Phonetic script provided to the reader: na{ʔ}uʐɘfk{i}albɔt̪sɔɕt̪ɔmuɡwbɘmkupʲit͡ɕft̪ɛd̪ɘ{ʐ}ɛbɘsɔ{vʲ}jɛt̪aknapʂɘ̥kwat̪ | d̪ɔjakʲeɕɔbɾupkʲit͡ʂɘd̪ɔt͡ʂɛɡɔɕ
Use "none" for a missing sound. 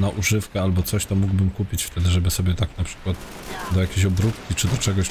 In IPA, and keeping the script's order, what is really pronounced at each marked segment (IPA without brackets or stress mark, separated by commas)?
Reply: ʔ, ɛ, ʐ, bʲ